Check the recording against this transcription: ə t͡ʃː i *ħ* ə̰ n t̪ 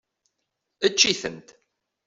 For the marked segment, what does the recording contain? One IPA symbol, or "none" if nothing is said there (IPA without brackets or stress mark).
θ